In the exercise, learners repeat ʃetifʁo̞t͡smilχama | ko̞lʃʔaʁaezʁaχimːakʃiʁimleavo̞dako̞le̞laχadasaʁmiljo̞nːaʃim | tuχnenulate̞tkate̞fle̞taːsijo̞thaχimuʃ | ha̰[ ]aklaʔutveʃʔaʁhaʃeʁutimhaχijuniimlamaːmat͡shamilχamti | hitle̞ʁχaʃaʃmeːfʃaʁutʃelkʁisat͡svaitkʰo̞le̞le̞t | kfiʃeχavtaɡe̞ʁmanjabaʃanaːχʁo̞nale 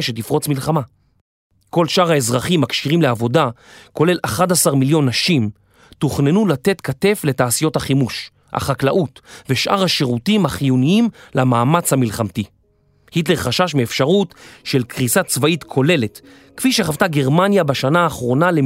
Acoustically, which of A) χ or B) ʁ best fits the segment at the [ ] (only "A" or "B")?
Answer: A